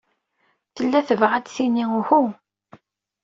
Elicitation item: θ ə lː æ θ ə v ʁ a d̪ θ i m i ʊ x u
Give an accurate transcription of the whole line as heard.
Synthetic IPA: θ ə lː æ θ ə v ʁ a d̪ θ i n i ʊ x u